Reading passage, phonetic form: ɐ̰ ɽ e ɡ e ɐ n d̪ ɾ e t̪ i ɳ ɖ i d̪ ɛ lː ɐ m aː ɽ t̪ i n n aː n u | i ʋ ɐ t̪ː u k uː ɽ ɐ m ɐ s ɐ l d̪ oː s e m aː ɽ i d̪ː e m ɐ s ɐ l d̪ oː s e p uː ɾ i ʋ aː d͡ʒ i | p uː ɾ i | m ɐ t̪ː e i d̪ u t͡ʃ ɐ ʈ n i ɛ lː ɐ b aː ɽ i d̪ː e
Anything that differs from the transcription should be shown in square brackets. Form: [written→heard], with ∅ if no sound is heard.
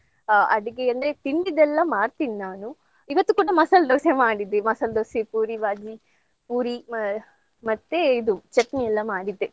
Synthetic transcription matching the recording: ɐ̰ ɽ [e→i] ɡ e ɐ n d̪ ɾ e t̪ i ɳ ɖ i d̪ ɛ lː ɐ m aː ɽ t̪ i n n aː n u | i ʋ ɐ t̪ː u k uː ɽ ɐ m ɐ s ɐ l d̪ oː s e m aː ɽ i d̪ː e m ɐ s ɐ l d̪ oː s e p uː ɾ i ʋ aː d͡ʒ i | p uː ɾ i | m ɐ t̪ː e i d̪ u t͡ʃ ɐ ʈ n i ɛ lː ɐ [b→m] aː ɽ i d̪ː e